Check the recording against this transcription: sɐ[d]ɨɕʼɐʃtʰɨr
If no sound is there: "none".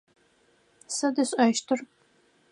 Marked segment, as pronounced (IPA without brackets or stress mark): d